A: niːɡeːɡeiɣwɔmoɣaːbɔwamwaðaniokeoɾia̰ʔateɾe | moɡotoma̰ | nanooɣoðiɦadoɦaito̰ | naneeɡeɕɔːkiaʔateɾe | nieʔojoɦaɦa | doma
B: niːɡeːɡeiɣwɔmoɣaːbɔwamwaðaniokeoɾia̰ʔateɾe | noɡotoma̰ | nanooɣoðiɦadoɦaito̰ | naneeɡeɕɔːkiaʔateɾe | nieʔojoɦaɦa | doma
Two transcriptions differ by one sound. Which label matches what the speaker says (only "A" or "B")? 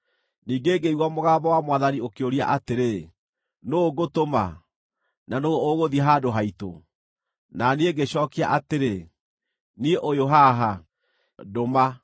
B